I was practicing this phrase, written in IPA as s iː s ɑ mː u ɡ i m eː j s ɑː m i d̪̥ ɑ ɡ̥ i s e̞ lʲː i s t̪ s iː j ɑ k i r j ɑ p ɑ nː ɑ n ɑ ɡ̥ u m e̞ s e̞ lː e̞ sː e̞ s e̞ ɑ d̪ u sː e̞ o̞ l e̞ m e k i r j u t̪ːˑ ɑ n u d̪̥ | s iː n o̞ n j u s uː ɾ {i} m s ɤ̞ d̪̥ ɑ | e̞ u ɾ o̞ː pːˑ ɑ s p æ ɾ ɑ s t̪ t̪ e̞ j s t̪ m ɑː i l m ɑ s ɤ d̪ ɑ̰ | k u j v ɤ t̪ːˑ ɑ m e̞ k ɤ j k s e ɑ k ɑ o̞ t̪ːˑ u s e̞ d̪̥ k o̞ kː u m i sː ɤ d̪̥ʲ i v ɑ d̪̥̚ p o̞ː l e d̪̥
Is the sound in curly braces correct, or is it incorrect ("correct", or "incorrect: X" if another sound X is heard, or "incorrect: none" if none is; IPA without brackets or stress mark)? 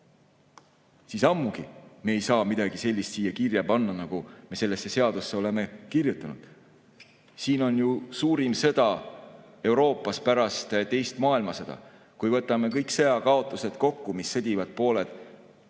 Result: correct